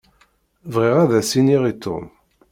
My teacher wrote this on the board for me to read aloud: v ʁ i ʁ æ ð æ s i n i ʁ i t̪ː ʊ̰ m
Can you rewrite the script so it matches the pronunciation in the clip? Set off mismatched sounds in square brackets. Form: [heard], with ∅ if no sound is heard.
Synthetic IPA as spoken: v ʁ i ʁ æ ð æ s i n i ʁ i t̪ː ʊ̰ m